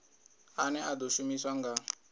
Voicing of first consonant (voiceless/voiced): voiced